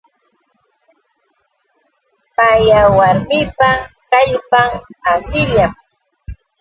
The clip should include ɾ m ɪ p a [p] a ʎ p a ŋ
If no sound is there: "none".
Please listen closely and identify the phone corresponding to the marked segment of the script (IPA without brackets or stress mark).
k